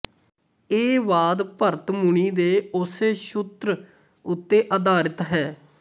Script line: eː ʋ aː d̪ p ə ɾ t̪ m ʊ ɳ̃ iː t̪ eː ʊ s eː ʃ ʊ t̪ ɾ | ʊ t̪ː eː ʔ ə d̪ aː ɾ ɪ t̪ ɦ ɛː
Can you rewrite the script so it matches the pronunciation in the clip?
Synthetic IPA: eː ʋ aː d̪ p ə ɾ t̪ m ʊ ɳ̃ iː d̪ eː ʊ s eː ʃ ʊ t̪ ɾ | ʊ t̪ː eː ʔ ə d̪ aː ɾ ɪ t̪ ɦ ɛː